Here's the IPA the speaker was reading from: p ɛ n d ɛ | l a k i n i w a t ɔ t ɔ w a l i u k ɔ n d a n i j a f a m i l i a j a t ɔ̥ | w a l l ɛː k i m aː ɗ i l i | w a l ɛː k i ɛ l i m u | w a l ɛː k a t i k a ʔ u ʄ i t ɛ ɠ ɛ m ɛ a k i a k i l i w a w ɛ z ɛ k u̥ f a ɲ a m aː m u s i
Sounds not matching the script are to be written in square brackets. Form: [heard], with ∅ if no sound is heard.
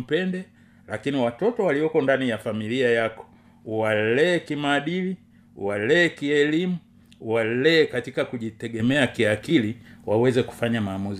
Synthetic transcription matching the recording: p ɛ n d ɛ | l a k i n i w a t ɔ t ɔ w a l i [ɔ] k ɔ n d a n i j a f a m i l i a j a [k] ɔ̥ | w a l l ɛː k i m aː ɗ i l i | w a l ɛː k i ɛ l i m u | w a l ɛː k a t i k a [k] u ʄ i t ɛ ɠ ɛ m ɛ a k i a k i l i w a w ɛ z ɛ k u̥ f a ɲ a m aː m u [z] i